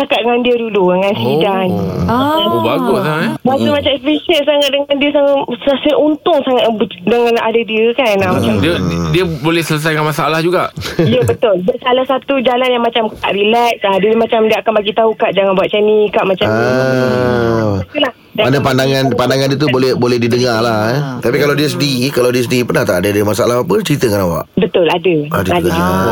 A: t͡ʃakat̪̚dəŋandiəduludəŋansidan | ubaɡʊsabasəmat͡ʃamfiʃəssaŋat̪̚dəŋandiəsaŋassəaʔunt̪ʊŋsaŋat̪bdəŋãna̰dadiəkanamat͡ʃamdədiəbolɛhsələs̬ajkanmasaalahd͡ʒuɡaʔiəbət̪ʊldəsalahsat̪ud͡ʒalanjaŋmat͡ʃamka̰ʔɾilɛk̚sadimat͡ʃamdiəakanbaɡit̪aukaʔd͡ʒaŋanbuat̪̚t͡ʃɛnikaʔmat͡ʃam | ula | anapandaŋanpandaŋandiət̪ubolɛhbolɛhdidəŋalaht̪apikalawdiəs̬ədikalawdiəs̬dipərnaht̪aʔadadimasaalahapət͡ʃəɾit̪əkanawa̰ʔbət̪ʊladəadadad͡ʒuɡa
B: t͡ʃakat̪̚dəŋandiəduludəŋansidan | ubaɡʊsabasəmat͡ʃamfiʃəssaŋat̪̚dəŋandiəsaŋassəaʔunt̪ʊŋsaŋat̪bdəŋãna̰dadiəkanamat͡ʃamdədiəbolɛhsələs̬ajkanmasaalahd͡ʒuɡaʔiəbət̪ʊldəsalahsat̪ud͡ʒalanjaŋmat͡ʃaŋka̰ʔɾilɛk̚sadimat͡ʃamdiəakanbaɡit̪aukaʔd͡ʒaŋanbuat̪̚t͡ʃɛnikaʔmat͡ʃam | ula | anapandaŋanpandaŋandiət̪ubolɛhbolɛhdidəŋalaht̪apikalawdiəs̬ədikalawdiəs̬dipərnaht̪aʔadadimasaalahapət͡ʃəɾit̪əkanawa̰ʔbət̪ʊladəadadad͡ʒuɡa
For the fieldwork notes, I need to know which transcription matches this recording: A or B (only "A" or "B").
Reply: A